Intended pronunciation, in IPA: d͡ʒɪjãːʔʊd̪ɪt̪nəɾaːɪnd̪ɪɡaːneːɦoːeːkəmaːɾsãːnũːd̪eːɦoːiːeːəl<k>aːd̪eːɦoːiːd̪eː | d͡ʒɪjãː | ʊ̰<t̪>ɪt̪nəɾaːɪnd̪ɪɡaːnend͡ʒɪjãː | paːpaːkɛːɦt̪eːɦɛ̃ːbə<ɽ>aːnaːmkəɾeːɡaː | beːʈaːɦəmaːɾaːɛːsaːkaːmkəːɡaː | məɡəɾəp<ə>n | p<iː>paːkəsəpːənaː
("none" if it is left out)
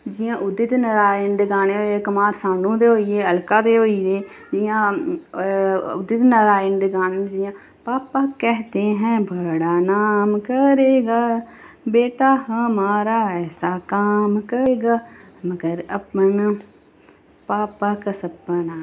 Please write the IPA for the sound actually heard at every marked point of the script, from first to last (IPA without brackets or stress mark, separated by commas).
k, d̪, ɽ, ə, aː